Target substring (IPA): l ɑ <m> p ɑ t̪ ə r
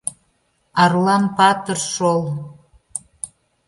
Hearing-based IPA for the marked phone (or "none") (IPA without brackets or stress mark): n